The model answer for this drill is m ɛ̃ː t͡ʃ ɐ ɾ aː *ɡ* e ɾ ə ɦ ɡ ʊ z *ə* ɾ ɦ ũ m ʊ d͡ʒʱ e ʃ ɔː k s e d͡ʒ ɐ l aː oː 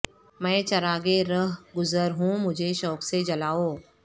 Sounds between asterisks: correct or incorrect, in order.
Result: correct, correct

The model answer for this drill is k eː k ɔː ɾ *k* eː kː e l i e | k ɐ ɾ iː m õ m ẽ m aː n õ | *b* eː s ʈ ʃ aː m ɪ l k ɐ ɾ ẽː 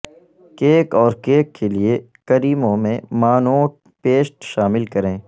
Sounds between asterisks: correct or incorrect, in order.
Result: correct, incorrect: p

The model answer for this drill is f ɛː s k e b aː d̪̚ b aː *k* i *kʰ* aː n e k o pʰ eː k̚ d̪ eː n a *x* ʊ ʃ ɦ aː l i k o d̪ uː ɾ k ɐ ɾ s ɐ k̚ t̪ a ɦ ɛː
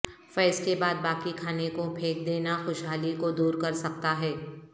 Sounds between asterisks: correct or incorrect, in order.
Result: correct, correct, correct

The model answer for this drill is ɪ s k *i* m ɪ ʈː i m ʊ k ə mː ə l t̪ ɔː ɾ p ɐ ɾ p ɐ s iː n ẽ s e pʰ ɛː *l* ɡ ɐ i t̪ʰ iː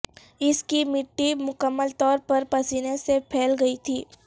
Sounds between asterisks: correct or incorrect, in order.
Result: correct, correct

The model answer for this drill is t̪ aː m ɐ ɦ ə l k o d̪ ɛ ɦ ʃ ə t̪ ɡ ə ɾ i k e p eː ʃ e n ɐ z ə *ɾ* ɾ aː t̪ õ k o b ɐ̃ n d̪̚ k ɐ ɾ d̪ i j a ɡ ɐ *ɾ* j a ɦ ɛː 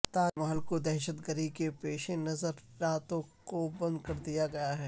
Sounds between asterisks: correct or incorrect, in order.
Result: correct, incorrect: none

